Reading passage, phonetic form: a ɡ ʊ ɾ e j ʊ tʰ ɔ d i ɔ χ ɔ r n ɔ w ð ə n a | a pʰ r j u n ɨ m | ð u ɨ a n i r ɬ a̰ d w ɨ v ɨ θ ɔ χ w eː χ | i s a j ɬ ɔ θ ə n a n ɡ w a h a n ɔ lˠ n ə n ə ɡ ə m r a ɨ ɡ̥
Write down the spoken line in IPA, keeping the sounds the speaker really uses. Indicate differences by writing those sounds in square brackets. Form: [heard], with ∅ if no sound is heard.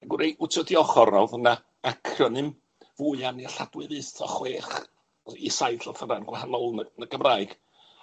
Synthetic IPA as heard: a ɡ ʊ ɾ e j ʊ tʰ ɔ d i ɔ χ ɔ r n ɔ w ð ə n a | a [kʰ] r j [ɔ] n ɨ m | [v] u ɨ a n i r ɬ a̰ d w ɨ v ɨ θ ɔ χ w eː χ | i s a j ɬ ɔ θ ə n a n ɡ w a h a n ɔ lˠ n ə n ə ɡ ə m r a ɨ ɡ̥